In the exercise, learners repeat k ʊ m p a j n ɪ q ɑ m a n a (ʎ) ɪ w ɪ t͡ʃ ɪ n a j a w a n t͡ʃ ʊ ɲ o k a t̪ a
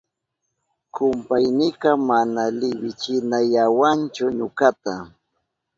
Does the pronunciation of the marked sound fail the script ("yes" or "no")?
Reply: yes